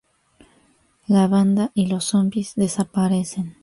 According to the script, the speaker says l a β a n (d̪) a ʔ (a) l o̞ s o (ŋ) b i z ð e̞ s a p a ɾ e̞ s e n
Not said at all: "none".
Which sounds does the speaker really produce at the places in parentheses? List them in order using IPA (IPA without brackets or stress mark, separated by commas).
d̪, i, m